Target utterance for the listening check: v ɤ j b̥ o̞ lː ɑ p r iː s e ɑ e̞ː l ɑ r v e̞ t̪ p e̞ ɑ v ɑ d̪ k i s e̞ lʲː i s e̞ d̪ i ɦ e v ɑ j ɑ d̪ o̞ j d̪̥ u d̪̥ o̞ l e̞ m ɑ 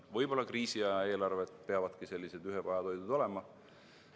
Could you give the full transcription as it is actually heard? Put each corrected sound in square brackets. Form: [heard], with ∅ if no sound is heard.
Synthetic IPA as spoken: v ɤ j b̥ o̞ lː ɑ [k] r iː s [i] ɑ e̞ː l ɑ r v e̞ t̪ p e̞ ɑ v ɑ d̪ k i s e̞ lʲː i s e̞ d̪ [y] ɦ e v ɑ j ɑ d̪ o̞ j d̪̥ u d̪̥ o̞ l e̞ m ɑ